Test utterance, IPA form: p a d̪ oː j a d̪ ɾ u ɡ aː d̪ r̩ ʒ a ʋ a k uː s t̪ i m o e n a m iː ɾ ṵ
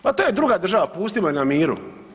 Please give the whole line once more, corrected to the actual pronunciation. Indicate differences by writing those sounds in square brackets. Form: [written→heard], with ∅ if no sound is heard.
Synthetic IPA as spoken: p a [d̪→t̪] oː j [a→e] d̪ ɾ u ɡ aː d̪ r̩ ʒ a ʋ a [k→p] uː s t̪ i m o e n a m iː ɾ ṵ